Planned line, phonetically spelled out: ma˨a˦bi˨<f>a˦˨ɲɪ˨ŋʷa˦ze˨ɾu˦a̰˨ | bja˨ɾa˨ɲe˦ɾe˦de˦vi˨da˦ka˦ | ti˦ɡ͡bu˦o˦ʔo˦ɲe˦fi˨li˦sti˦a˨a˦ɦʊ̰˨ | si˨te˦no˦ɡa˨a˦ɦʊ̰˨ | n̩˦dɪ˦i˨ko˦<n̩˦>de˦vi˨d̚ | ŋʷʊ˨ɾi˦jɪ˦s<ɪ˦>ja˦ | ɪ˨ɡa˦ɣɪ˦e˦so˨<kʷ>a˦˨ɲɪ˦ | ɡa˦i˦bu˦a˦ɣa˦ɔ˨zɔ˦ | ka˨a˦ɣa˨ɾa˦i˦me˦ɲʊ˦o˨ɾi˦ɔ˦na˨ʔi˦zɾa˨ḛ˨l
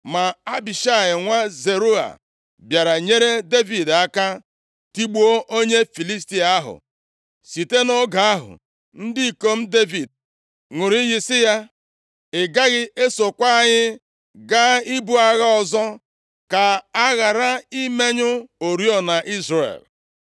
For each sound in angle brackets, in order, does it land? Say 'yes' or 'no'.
no, no, yes, yes

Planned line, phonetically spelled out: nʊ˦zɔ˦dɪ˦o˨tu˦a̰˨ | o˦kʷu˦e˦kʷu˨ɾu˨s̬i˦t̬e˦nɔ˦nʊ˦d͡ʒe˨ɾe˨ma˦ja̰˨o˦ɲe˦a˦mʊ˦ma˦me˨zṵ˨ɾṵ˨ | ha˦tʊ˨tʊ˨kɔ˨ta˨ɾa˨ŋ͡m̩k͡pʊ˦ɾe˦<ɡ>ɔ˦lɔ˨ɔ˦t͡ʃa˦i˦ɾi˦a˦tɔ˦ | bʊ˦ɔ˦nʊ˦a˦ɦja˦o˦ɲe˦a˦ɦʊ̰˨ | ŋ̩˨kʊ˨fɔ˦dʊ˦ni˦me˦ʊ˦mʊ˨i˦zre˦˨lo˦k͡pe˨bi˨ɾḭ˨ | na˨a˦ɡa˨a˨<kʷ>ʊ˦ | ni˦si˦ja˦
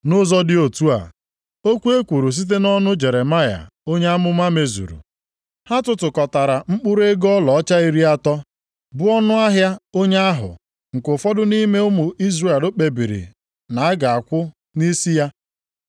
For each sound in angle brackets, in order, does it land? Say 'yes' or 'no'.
yes, yes

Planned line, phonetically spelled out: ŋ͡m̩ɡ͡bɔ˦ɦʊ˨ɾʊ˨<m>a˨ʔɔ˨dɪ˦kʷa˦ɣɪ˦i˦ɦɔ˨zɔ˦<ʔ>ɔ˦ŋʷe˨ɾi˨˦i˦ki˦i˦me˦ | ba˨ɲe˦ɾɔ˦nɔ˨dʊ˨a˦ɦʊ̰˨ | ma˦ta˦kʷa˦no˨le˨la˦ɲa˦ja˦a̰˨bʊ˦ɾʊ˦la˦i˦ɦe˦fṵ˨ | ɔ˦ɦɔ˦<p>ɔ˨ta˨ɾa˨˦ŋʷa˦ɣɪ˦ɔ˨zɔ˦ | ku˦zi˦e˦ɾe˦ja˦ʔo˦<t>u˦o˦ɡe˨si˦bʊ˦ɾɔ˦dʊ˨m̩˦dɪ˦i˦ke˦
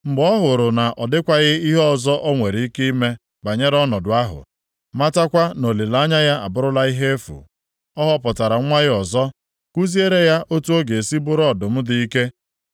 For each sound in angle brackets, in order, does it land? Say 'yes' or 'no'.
no, yes, yes, yes

